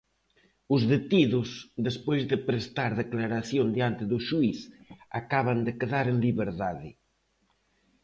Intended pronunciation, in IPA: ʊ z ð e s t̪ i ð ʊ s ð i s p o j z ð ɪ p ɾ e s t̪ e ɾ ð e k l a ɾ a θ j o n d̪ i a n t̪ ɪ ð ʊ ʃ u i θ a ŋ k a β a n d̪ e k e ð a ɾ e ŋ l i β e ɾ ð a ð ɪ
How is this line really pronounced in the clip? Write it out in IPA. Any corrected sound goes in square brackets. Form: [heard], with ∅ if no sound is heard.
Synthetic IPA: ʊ z ð e [∅] t̪ i ð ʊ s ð [e] s p o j z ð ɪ p ɾ e s t̪ [a] ɾ ð e k l a ɾ a θ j o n d̪ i a n t̪ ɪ ð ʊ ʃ u i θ a [∅] k a β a n d̪ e k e ð a ɾ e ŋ l i β e ɾ ð a ð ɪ